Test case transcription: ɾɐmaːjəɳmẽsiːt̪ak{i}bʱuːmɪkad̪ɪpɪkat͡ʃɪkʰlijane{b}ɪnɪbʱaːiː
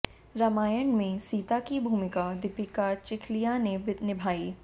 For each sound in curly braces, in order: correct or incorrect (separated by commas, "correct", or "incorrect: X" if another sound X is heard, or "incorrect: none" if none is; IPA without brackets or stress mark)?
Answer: correct, correct